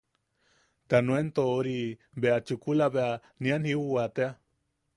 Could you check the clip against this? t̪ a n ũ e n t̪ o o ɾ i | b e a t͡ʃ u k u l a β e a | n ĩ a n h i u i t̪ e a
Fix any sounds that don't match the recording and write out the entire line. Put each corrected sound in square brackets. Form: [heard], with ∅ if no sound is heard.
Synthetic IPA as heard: t̪ a n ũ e n t̪ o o ɾ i | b e a t͡ʃ u k u l a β e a | n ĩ a n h i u [a] t̪ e a